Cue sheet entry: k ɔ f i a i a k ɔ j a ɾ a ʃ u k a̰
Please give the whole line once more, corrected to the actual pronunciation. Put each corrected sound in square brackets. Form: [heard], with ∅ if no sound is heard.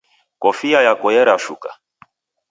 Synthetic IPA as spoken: k ɔ f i a [j] a k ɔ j [ɛ] ɾ a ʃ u k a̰